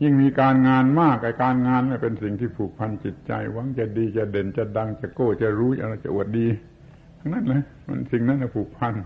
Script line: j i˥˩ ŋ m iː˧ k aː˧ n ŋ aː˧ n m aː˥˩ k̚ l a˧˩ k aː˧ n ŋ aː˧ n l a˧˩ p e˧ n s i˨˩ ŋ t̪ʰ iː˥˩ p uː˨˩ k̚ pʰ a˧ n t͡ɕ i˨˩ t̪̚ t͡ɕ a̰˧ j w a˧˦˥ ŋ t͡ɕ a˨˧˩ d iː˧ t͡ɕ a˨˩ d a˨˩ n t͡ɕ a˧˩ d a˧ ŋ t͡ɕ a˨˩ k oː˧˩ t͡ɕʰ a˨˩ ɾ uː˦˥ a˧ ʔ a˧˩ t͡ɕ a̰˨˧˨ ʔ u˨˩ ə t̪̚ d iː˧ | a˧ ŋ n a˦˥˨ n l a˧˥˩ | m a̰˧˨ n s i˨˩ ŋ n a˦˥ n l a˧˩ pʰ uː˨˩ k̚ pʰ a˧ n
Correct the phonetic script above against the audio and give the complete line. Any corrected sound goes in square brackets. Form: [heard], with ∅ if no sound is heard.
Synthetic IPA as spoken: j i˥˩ ŋ m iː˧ k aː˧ n ŋ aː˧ n m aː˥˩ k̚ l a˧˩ k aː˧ n ŋ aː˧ n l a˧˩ p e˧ n s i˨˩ ŋ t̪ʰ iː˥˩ [pʰ] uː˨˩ k̚ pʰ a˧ n t͡ɕ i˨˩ t̪̚ t͡ɕ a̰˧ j w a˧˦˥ ŋ t͡ɕ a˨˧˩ d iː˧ t͡ɕ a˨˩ d [e˨˩] n t͡ɕ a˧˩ d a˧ ŋ t͡ɕ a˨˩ k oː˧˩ [t͡ɕ] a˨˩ ɾ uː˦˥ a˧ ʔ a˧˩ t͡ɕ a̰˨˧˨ ʔ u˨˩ ə t̪̚ d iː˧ | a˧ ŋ n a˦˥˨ n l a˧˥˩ | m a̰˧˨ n s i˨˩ ŋ n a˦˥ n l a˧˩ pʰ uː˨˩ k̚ pʰ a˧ n